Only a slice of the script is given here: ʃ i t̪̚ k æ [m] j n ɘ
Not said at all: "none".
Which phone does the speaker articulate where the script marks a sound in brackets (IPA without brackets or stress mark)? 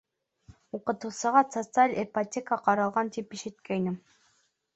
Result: none